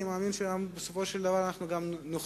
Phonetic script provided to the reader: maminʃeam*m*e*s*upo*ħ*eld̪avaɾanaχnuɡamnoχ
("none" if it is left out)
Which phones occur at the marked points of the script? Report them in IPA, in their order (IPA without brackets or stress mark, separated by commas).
b, s, ʃ